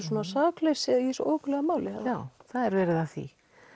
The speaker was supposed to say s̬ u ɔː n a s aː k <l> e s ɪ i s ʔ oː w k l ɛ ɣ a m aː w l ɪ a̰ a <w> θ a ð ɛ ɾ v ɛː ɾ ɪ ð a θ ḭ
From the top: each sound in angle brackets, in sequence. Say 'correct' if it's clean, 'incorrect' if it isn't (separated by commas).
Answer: correct, correct